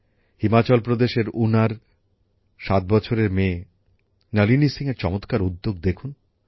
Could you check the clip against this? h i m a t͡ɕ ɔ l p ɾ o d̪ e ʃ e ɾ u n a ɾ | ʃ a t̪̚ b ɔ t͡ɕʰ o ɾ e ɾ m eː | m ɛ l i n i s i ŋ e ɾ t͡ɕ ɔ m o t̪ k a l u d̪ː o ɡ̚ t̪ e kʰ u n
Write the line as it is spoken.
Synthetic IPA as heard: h i m a t͡ɕ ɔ l p ɾ o d̪ e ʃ e ɾ u n a ɾ | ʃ a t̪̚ b ɔ t͡ɕʰ o ɾ e ɾ m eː | n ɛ l i n i s i ŋ e ɾ t͡ɕ ɔ m o t̪ k a ɾ u d̪ː o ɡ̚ d̪ e kʰ u n